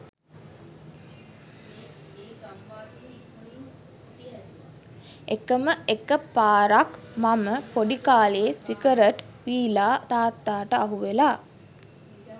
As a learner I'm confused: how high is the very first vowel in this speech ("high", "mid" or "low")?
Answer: mid